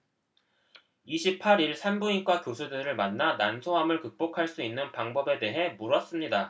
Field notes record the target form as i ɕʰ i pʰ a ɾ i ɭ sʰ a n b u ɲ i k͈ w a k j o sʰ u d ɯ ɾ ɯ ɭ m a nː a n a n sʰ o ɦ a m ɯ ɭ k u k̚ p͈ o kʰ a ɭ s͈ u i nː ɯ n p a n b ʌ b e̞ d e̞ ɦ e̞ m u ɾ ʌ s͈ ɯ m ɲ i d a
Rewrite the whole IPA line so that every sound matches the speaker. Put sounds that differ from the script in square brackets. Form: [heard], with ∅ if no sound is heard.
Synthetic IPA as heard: i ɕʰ i pʰ a ɾ i ɭ sʰ a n b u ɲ i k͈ w a k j o sʰ u d ɯ ɾ ɯ ɭ m a nː a n a n sʰ o ɦ a m ɯ ɭ k [ɯ] k̚ p͈ o kʰ a ɭ s͈ u i nː ɯ n p a [ŋ] b ʌ b e̞ d e̞ ɦ e̞ m u ɾ ʌ s͈ ɯ m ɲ i d a

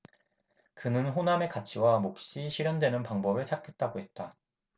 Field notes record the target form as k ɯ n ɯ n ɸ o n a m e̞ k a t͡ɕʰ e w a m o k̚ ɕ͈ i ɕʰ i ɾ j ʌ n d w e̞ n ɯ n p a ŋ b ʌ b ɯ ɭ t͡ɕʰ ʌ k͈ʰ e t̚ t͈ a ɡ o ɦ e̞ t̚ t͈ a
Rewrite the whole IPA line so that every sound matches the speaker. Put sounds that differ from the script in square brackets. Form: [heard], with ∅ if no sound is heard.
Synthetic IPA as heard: k ɯ n ɯ n ɸ o n a m e̞ k a t͡ɕʰ [i] w a m o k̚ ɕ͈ i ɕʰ i ɾ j ʌ n d w e̞ n ɯ n p a ŋ b ʌ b ɯ ɭ t͡ɕʰ [a] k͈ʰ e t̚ t͈ a ɡ o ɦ e̞ t̚ t͈ a

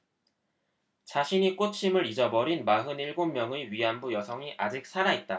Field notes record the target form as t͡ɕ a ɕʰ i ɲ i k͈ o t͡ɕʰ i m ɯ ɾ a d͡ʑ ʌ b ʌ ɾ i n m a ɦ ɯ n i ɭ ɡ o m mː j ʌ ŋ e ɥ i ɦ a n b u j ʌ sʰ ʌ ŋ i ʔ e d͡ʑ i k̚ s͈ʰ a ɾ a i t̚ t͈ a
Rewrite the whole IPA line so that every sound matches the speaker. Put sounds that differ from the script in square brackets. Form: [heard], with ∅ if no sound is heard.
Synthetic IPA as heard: t͡ɕ a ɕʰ i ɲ i k͈ o t͡ɕʰ i m ɯ ɾ [i] d͡ʑ ʌ b ʌ ɾ i n m a ɦ ɯ n i ɭ ɡ o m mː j ʌ ŋ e ɥ i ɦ a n b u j ʌ sʰ ʌ ŋ i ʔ [a] d͡ʑ i k̚ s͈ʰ a ɾ a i t̚ t͈ a

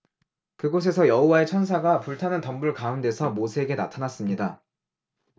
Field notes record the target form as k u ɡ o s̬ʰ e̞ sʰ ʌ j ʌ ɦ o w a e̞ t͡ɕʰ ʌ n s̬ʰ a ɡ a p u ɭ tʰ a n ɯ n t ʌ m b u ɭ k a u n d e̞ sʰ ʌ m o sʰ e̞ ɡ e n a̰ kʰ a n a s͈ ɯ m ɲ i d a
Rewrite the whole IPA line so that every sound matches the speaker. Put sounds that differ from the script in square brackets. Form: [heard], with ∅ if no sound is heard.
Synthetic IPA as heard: k [ɯ] ɡ o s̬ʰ e̞ sʰ ʌ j ʌ ɦ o w a e̞ t͡ɕʰ ʌ n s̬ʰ a ɡ a p u ɭ tʰ a n ɯ n t ʌ m b u ɭ k a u n d e̞ sʰ ʌ m o sʰ e̞ ɡ e n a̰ [tʰ] a n a s͈ ɯ m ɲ i d a

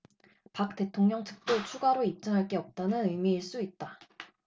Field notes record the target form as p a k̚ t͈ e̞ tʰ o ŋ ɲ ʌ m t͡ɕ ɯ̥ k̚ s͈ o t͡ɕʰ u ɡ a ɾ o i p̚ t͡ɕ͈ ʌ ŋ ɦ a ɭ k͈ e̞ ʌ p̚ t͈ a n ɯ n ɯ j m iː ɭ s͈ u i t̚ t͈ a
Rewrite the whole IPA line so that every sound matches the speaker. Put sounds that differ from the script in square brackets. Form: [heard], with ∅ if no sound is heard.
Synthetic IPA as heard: p a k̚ t͈ e̞ tʰ o ŋ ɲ ʌ [ŋ] t͡ɕ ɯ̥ k̚ [t͈] o t͡ɕʰ u ɡ a ɾ o i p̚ t͡ɕ͈ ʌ ŋ ɦ a ɭ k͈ e̞ ʌ p̚ t͈ a n ɯ n ɯ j m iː ɭ s͈ u i t̚ t͈ a

